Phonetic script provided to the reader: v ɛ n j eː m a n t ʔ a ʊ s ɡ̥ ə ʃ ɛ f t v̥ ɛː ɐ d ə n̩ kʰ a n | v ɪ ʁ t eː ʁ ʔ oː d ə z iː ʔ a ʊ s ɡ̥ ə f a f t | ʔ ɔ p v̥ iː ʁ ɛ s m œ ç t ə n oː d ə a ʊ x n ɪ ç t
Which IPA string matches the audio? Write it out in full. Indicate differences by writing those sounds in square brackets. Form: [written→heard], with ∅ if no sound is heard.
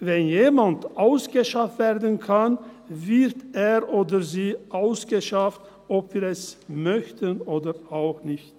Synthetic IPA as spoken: v ɛ n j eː m a n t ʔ a ʊ s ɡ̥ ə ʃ [ɛ→a] f t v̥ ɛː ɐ d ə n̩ kʰ a n | v ɪ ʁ t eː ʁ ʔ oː d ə z iː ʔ a ʊ s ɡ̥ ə [f→ʃ] a f t | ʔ ɔ p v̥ iː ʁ ɛ s m œ ç t ə n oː d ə a ʊ x n ɪ ç t